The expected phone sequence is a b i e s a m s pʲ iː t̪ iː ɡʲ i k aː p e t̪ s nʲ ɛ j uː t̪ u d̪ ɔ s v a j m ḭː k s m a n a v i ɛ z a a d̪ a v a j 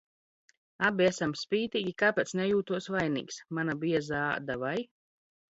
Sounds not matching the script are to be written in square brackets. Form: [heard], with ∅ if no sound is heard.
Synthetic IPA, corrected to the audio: a b i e s a m s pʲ iː t̪ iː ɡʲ i k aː p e t̪ s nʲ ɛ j uː t̪ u [∅] ɔ s v a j [n] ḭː k s m a n a [b] i ɛ z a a d̪ a v a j